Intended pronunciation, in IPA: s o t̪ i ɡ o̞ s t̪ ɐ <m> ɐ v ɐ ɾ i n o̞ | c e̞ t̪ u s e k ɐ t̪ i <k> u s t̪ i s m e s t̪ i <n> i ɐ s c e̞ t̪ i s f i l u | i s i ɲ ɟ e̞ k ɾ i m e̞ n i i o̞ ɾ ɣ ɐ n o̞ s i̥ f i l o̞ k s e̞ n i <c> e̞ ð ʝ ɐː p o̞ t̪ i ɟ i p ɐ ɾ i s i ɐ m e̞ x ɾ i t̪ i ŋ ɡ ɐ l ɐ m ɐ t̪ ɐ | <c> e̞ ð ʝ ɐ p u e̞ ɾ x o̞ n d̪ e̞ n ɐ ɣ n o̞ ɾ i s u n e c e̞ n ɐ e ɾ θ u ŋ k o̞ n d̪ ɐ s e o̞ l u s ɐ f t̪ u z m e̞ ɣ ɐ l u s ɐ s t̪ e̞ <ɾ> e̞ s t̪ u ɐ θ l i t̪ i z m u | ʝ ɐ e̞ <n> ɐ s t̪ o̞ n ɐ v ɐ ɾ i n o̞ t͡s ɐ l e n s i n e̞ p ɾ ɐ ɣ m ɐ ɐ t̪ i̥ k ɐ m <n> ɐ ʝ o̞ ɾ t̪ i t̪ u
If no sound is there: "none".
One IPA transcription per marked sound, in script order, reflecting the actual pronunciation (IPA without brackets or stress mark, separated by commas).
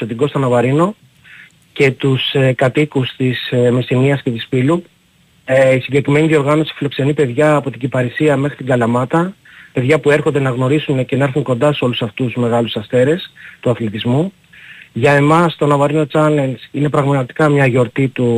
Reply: n, k, n, p, p, ɾ, m, ɲ